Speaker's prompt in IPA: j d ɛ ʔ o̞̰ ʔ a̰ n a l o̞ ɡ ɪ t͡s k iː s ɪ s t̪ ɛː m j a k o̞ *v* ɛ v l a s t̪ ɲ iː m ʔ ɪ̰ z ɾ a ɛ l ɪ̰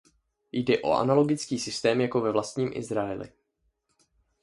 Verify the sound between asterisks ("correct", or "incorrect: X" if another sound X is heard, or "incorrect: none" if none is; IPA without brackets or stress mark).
correct